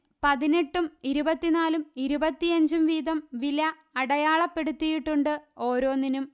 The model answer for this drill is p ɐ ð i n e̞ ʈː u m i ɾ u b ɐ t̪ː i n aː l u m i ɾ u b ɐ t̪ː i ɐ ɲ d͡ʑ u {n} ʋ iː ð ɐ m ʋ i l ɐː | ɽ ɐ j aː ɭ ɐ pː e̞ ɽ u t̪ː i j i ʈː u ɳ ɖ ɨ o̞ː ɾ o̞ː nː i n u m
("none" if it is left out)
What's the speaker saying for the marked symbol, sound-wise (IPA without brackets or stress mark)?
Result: m